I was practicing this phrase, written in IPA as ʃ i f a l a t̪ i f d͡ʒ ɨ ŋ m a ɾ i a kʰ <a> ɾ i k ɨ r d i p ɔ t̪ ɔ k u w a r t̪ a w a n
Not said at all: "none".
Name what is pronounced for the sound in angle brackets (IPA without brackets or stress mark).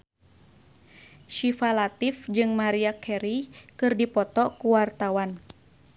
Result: ɛ